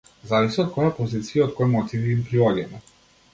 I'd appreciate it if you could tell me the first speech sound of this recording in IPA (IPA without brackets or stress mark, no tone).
z